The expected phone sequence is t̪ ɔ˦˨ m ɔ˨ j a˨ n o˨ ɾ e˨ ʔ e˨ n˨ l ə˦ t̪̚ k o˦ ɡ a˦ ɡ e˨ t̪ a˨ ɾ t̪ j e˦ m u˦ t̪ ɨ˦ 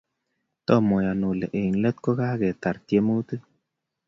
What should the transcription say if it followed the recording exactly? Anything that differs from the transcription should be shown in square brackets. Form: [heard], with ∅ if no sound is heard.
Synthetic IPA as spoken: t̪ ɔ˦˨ m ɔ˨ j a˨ n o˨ [l] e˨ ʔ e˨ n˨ l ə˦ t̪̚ k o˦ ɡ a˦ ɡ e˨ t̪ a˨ ɾ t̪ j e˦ m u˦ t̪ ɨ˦